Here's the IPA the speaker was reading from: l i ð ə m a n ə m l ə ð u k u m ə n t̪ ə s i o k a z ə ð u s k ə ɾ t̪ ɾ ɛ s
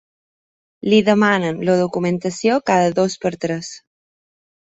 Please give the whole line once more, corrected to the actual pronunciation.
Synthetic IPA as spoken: l i ð ə m a n ə n l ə ð u k u m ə n t̪ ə s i o k a ð ə ð o s p ə ɾ t̪ ɾ ɛ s